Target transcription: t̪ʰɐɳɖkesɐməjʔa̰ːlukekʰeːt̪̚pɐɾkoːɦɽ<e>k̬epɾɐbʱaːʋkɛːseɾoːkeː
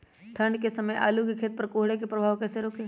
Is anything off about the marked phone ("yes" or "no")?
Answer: no